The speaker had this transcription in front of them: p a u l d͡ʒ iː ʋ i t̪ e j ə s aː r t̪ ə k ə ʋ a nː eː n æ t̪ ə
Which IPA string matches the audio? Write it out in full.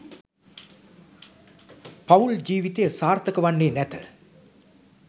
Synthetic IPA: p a u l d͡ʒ iː ʋ i t̪ e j ə s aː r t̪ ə k ə ʋ a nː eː n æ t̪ ə